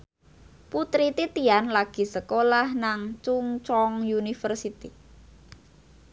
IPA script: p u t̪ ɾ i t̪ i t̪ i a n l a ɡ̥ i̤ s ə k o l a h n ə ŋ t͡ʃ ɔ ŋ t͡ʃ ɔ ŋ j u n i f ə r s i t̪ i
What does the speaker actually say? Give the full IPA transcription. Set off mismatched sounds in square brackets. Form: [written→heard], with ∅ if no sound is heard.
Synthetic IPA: p u t̪ ɾ i t̪ i t̪ i a n l a ɡ̥ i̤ s ə k o l a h n [ə→a] ŋ t͡ʃ [ɔ→u] ŋ t͡ʃ ɔ ŋ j u n i f ə r s i t̪ i